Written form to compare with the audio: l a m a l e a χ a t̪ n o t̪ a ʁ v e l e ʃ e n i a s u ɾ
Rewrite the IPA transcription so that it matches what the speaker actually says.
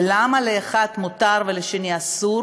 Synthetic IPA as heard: l a m a l e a χ a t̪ m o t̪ a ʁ v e l e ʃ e n i a s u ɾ